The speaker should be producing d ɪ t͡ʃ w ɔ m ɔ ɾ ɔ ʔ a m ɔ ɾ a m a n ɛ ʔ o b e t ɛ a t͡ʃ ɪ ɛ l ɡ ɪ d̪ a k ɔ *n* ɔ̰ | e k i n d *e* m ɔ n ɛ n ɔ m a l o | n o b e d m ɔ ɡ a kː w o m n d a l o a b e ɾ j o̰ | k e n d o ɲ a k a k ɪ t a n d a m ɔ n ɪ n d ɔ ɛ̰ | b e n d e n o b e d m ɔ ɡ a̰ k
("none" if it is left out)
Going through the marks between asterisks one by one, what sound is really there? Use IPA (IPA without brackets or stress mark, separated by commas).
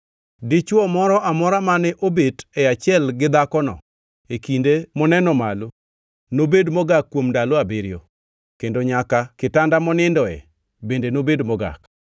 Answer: n, e